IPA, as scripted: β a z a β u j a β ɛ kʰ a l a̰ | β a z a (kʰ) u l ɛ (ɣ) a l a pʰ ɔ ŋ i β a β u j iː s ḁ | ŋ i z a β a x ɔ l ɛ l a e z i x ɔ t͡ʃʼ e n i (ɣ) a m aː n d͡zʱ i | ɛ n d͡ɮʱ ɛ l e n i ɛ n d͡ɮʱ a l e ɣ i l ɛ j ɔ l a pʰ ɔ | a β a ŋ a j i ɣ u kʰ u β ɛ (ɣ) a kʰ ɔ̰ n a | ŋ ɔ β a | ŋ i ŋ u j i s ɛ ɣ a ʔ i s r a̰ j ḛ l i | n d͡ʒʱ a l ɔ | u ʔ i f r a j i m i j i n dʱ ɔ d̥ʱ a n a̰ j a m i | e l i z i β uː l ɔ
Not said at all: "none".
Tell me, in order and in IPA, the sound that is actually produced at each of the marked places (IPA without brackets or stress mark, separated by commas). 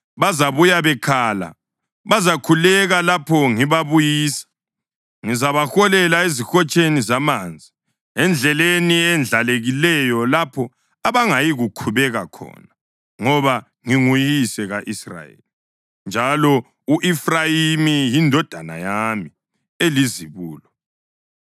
kʰ, ɣ, z, ɣ